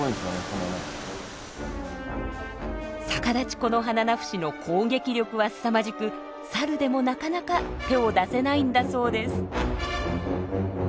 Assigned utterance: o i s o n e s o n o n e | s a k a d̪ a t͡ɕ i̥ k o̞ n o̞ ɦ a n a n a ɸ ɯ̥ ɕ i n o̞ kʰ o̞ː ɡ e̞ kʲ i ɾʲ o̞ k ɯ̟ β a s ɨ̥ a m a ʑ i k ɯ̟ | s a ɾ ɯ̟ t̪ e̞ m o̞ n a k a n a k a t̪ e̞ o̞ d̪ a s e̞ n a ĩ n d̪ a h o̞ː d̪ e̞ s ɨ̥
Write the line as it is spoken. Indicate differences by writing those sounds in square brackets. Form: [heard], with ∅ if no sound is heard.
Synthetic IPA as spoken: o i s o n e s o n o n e | s a k a d̪ a t͡ɕ i̥ k o̞ n o̞ ɦ a n a n a ɸ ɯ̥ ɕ i n o̞ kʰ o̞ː ɡ e̞ kʲ i ɾʲ o̞ k ɯ̟ β a s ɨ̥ a m a ʑ i k ɯ̟ | s a ɾ ɯ̟ [d̪] e̞ m o̞ n a k a n a k a t̪ e̞ o̞ d̪ a s e̞ n a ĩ n d̪ a [s] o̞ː d̪ e̞ s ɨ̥

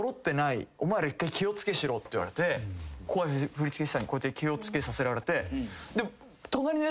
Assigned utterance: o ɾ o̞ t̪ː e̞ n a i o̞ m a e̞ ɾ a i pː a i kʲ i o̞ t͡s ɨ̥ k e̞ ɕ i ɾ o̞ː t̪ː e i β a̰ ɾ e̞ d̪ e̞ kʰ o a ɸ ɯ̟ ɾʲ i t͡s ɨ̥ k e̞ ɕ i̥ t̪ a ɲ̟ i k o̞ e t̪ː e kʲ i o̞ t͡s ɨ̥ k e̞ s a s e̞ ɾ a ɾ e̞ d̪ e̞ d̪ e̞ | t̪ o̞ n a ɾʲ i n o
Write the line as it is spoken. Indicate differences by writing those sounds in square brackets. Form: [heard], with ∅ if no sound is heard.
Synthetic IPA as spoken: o ɾ o̞ t̪ː e̞ n a i o̞ m a e̞ ɾ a i [kː] a i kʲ i o̞ t͡s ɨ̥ k e̞ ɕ i ɾ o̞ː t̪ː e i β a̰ ɾ e̞ [t̪] e̞ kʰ o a ɸ ɯ̟ ɾʲ i t͡s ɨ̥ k e̞ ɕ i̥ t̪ a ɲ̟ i k o̞ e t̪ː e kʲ i o̞ t͡s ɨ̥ k e̞ s a s e̞ ɾ a ɾ e̞ [t̪] e̞ d̪ e̞ | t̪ o̞ n a ɾʲ i n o

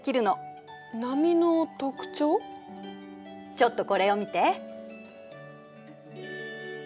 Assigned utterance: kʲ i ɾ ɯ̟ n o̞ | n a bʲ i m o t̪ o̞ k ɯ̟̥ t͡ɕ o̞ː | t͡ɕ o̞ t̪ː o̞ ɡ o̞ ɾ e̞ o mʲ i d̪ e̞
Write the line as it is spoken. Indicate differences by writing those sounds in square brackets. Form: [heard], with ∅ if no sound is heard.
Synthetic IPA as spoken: kʲ i ɾ ɯ̟ n o̞ | n a [mʲ] i [n] o t̪ o̞ k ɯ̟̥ t͡ɕ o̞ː | t͡ɕ o̞ t̪ː o̞ [k] o̞ ɾ e̞ o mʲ i [t̪] e̞

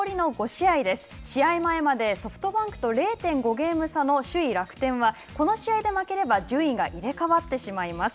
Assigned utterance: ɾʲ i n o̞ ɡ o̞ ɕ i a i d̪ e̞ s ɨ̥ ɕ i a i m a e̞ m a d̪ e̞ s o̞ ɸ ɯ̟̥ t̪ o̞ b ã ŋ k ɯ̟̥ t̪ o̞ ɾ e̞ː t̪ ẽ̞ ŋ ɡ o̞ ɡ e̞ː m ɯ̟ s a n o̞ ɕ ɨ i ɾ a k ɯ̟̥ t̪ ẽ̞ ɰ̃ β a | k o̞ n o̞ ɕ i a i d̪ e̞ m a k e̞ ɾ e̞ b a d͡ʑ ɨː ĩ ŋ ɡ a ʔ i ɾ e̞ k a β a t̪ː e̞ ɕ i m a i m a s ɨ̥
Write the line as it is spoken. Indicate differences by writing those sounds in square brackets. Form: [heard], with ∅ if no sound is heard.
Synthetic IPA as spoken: ɾʲ i n o̞ ɡ o̞ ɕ i a i d̪ e̞ s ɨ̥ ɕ i a i m a e̞ m a d̪ e̞ s o̞ ɸ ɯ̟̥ t̪ o̞ b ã ŋ k ɯ̟̥ t̪ o̞ ɾ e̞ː t̪ ẽ̞ ŋ ɡ o̞ ɡ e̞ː m ɯ̟ s a n o̞ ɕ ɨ i ɾ a k ɯ̟̥ t̪ ẽ̞ ɰ̃ β a | k o̞ n o̞ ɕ i a i d̪ e̞ m a k e̞ ɾ e̞ b a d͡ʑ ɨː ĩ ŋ ɡ a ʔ i ɾ e̞ k a β a t̪ː e̞ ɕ i m a i m a s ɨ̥

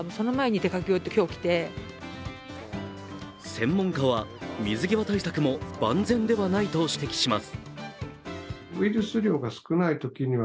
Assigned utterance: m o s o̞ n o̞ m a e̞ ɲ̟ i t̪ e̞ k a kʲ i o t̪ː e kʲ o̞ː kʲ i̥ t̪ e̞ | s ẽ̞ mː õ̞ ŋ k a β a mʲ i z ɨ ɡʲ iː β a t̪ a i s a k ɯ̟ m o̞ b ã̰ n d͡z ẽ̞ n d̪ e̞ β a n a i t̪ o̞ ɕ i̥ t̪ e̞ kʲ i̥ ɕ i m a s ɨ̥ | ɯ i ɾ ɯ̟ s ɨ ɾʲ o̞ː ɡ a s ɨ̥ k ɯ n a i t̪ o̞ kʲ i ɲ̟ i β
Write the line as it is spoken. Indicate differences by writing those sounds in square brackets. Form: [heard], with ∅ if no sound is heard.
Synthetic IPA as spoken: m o s o̞ n o̞ m a e̞ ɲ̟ i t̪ e̞ k a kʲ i o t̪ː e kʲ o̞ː kʲ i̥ t̪ e̞ | s ẽ̞ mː õ̞ ŋ k a β a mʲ i z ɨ ɡʲ [i] β a t̪ a i s a k ɯ̟ m o̞ b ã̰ n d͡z ẽ̞ n d̪ e̞ β a n a i t̪ o̞ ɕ i̥ t̪ e̞ kʲ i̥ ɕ i m a s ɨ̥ | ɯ i ɾ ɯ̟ s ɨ ɾʲ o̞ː ɡ a s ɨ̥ k ɯ n a i t̪ o̞ kʲ i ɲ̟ i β

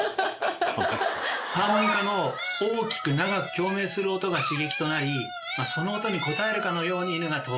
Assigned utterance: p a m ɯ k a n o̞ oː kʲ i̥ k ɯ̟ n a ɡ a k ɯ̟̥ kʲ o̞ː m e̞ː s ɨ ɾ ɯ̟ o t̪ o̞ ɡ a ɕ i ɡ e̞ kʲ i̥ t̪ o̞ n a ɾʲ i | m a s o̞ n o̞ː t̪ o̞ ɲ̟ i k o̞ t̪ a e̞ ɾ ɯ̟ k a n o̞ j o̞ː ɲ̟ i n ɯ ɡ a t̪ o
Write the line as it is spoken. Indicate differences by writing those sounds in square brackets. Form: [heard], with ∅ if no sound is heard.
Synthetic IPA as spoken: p a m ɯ k a n o̞ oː kʲ i̥ k ɯ̟ n a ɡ a k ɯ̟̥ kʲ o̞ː m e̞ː s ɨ ɾ ɯ̟ o t̪ o̞ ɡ a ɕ i ɡ e̞ kʲ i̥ t̪ o̞ n a ɾʲ i | m a s o̞ n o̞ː t̪ o̞ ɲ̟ i k o̞ t̪ a e̞ ɾ ɯ̟ k a n o̞ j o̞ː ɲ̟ i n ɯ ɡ a t̪ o

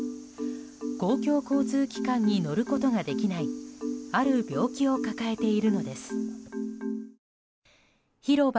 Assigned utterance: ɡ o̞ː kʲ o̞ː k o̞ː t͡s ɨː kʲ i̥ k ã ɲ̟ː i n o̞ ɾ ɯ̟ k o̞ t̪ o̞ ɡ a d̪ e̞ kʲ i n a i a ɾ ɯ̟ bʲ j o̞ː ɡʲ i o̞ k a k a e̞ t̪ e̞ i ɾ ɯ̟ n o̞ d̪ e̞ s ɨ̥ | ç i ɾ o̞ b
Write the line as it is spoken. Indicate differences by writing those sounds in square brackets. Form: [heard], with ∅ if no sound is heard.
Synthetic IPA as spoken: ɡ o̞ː kʲ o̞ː k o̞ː t͡s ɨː kʲ i̥ k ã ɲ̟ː i n o̞ ɾ ɯ̟ k o̞ t̪ o̞ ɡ a d̪ e̞ kʲ i n a i a ɾ ɯ̟ bʲ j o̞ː [kʲ] i o̞ k a k a e̞ t̪ e̞ i ɾ ɯ̟ n o̞ d̪ e̞ s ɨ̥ | ç i ɾ o̞ b

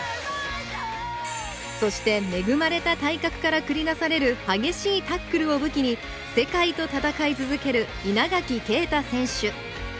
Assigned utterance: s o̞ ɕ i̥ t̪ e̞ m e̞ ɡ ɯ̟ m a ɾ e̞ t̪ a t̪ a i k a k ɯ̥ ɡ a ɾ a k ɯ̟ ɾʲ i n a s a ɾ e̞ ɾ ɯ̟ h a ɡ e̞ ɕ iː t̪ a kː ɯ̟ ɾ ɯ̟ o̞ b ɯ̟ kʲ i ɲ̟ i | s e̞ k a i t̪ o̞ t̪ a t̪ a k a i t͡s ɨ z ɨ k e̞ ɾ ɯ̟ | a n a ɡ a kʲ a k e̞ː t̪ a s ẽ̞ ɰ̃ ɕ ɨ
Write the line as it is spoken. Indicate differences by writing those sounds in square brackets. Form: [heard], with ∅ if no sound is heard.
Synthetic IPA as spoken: s o̞ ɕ i̥ t̪ e̞ m e̞ ɡ ɯ̟ m a ɾ e̞ t̪ a t̪ a i k a k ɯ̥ [k] a ɾ a k ɯ̟ ɾʲ i n a s a ɾ e̞ ɾ ɯ̟ h a ɡ e̞ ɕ iː t̪ a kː ɯ̟ ɾ ɯ̟ o̞ b ɯ̟ kʲ i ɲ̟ i | s e̞ k a i t̪ o̞ t̪ a t̪ a k a i t͡s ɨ z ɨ k e̞ ɾ ɯ̟ | [i] n a ɡ a kʲ [i] k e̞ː t̪ a s ẽ̞ ɰ̃ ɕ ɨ

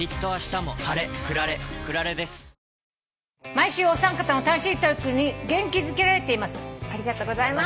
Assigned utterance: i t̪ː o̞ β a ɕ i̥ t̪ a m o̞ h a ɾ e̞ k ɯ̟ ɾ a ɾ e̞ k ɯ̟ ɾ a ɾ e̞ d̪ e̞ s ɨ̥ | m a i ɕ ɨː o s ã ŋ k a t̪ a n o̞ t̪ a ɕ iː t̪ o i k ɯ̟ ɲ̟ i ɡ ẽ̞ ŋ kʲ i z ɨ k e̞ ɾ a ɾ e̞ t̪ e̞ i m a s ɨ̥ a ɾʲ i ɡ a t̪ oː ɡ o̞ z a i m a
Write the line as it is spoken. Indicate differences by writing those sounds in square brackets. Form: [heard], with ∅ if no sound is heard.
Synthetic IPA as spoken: i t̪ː o̞ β a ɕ i̥ t̪ a m o̞ h a ɾ e̞ k ɯ̟ ɾ a ɾ e̞ k ɯ̟ ɾ a ɾ e̞ d̪ e̞ s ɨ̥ | m a i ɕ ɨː o s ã ŋ k a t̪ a n o̞ t̪ a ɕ iː t̪ o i k ɯ̟ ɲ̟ i ɡ ẽ̞ ŋ kʲ i z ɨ k e̞ ɾ a ɾ e̞ t̪ e̞ i m a s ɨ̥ a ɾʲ i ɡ a t̪ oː ɡ o̞ z a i m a

